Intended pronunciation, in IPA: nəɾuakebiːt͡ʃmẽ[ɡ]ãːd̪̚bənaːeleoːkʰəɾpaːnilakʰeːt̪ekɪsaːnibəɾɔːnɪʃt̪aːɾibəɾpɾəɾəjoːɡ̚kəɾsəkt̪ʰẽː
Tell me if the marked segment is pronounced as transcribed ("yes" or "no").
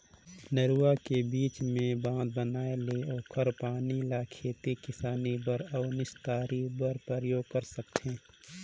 no